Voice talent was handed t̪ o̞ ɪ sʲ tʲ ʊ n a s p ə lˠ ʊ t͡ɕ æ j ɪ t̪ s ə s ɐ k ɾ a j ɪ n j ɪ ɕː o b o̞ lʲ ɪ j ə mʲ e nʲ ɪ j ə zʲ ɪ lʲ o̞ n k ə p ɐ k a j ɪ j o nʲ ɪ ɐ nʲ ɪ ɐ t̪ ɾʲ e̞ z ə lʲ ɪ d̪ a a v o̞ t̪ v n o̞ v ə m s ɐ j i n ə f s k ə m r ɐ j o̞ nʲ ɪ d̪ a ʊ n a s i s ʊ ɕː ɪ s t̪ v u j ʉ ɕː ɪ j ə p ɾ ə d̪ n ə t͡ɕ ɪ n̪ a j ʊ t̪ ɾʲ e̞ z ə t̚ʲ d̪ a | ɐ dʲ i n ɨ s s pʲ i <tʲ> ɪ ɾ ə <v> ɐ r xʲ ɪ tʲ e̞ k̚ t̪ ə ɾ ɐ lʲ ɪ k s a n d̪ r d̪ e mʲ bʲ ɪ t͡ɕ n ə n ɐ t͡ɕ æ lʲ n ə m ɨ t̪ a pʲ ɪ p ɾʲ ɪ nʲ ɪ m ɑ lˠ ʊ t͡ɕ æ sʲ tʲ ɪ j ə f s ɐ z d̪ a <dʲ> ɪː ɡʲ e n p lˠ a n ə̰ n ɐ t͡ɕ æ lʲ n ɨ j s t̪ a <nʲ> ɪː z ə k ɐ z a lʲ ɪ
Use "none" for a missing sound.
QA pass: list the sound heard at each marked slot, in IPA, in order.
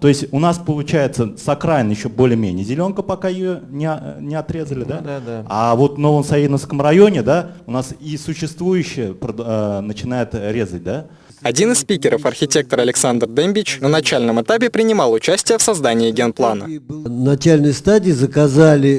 kʲ, f, nʲ, dʲ

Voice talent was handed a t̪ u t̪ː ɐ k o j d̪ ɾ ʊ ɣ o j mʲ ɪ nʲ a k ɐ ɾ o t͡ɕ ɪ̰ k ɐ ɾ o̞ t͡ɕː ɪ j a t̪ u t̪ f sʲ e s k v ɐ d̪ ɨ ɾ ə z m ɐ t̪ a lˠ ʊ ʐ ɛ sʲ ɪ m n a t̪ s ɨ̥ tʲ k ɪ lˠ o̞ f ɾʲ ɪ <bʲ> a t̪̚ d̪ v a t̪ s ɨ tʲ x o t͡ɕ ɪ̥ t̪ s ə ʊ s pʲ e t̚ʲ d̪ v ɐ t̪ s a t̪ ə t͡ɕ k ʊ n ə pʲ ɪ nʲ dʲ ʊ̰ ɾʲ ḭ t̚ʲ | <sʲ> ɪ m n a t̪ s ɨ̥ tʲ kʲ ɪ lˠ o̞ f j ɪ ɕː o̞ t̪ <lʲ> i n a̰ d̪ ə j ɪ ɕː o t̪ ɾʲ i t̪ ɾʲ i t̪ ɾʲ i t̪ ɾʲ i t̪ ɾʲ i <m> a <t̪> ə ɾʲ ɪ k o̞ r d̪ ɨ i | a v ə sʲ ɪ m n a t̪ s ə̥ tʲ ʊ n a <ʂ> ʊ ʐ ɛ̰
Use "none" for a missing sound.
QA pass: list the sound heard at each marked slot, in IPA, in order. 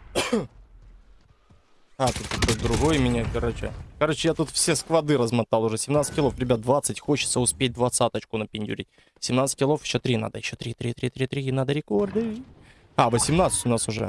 bʲ, sʲ, ɾʲ, n, d̪, s

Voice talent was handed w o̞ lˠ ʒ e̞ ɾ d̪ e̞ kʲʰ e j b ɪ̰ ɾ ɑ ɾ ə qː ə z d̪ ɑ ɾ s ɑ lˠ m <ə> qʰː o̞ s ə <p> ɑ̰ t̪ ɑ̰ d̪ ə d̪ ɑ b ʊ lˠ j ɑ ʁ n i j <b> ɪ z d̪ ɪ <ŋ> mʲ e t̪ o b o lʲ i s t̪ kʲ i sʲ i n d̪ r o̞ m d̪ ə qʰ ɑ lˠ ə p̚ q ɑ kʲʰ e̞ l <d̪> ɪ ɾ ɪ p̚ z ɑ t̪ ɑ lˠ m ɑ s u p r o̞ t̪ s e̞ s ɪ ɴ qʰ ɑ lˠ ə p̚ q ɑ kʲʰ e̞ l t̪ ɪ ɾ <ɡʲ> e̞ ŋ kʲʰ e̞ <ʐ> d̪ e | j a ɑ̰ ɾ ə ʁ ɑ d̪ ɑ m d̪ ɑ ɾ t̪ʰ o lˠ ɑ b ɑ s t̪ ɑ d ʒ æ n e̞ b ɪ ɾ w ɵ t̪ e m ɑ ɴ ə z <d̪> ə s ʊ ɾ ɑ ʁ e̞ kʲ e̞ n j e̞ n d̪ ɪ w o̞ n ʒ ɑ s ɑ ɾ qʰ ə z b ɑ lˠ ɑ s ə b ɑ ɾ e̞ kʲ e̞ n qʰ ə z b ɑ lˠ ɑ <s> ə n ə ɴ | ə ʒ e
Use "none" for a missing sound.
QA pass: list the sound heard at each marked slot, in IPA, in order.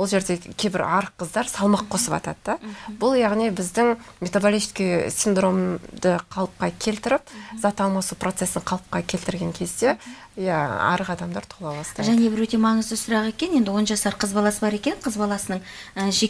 ɑ, p, b, ŋ, t̪, ɡʲ, z, d̪, s

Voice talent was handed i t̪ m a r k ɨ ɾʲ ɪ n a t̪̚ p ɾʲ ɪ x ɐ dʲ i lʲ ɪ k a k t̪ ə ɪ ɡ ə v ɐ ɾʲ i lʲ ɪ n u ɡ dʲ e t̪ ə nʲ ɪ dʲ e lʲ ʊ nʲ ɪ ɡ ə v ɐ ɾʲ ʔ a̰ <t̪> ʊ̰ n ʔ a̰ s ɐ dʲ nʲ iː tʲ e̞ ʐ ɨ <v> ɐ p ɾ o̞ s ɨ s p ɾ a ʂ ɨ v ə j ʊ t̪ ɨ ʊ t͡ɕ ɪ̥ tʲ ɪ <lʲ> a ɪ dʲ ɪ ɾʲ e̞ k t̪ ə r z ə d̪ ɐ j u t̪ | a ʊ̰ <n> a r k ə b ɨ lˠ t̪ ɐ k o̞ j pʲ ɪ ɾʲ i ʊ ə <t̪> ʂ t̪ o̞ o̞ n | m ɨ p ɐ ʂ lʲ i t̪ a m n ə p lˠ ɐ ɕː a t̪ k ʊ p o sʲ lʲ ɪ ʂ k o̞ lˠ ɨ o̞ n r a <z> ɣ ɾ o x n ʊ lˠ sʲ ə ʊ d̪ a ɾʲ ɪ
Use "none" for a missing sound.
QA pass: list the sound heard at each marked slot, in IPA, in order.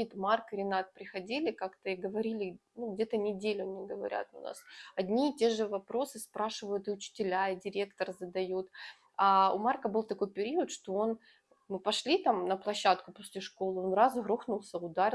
t̪, v, lʲ, m, t̪, z

